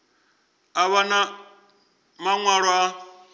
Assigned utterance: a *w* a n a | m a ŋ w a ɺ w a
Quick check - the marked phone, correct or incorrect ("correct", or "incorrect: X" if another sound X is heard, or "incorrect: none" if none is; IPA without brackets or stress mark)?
incorrect: β